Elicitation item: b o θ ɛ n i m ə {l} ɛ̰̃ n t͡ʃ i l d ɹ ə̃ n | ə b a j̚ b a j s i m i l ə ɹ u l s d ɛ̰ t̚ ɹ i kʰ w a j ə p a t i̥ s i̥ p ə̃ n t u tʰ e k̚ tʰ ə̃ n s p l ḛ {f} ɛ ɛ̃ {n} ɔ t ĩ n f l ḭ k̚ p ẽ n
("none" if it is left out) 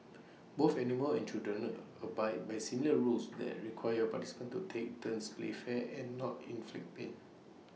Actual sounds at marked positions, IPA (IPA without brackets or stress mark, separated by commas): l, f, nː